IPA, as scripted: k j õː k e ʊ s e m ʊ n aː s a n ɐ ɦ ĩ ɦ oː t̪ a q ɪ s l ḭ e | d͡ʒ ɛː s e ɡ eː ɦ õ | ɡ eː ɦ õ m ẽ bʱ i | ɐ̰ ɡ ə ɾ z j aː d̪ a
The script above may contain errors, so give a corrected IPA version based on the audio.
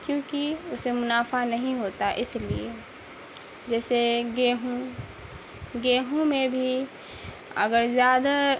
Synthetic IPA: k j õː k i ʊ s e m ʊ n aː f a n ɐ ɦ ĩ ɦ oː t̪ a ʔ ɪ s l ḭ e | d͡ʒ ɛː s e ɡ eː ɦ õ | ɡ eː ɦ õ m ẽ bʱ i | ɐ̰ ɡ ə ɾ z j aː d̪ a